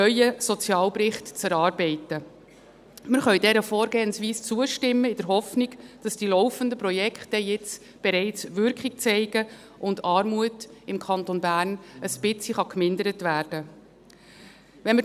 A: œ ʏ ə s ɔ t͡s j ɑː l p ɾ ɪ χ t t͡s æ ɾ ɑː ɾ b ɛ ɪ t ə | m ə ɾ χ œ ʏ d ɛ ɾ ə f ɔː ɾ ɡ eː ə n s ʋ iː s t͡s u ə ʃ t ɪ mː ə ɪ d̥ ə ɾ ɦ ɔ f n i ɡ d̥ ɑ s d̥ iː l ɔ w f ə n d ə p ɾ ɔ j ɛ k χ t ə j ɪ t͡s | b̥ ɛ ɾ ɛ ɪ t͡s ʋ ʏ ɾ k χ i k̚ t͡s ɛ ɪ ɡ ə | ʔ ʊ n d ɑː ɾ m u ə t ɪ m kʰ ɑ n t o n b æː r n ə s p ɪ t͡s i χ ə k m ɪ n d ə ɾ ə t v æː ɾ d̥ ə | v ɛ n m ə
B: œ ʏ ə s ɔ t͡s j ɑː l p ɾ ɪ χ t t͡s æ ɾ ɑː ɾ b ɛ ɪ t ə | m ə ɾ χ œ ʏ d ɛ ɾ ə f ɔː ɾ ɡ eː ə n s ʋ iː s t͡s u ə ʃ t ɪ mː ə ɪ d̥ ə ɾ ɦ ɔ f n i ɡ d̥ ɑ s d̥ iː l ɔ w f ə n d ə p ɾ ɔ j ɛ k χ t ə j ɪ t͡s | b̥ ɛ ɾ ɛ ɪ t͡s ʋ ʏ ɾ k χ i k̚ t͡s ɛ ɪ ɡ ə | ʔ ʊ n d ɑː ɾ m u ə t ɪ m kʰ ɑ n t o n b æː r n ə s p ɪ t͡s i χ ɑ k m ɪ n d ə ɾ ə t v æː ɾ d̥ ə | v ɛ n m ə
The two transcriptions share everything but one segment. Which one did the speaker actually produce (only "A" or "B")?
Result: B